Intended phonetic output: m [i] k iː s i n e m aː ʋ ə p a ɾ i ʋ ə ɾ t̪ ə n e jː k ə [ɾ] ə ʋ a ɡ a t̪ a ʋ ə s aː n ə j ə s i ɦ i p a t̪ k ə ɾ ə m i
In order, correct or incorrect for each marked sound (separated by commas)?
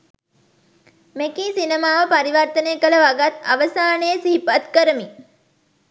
incorrect, incorrect